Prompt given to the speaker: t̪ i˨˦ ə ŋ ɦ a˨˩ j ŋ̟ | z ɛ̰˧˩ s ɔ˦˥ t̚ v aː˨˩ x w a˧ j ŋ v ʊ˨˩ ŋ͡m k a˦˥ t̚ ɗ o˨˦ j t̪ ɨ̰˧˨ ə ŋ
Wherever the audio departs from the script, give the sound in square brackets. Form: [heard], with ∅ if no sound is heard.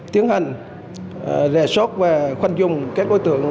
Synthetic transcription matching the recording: t̪ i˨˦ ə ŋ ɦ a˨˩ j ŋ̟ | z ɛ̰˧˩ s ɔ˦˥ t̚ v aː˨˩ x w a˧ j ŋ [z] ʊ˨˩ ŋ͡m k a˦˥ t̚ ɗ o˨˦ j t̪ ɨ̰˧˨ ə ŋ